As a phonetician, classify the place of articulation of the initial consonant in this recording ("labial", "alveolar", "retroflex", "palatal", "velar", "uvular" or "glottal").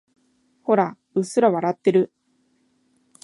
glottal